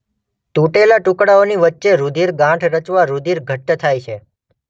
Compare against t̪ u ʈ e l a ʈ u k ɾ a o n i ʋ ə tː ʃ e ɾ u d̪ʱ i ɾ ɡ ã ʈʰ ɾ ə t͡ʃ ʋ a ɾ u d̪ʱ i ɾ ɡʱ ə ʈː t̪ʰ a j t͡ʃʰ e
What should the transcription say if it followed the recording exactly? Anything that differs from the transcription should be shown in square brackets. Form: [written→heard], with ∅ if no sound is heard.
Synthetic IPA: t̪ u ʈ e l a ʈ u k [ɾ→ɽ] a o n i ʋ ə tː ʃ e ɾ u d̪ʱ i ɾ ɡ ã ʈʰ ɾ ə t͡ʃ ʋ a ɾ u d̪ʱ i ɾ ɡʱ ə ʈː t̪ʰ a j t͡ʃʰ e